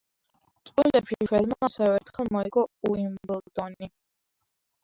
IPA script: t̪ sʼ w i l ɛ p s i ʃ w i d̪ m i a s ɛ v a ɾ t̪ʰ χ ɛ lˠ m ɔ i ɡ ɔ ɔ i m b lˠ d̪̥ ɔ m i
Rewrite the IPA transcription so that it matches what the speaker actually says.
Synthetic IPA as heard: t̪ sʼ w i l ɛ p ʃ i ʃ w ɛ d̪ m a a s ɛ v ɛ ɾ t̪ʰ χ ɛ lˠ m ɔ i ɡ ɔ u i m b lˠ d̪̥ ɔ n i